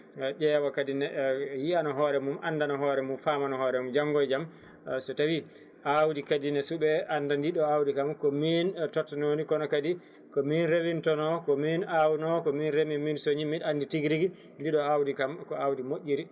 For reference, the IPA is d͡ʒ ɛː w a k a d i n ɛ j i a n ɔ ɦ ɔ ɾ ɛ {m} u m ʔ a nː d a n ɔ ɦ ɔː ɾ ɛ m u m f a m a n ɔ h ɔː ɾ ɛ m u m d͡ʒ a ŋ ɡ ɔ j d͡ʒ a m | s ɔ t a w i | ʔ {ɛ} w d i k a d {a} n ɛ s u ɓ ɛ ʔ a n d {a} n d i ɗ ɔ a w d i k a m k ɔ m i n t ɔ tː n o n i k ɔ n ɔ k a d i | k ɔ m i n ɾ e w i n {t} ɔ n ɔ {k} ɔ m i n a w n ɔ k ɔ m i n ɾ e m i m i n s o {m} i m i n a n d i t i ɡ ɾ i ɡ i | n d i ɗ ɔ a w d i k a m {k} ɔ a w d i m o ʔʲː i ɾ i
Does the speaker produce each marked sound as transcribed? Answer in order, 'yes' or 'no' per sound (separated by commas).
yes, no, no, yes, yes, yes, no, yes